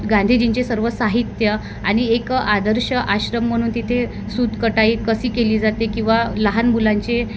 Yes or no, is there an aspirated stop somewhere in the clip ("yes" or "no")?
yes